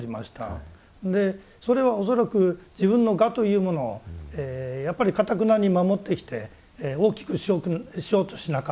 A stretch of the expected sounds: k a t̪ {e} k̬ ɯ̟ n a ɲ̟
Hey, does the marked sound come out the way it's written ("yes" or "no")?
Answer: no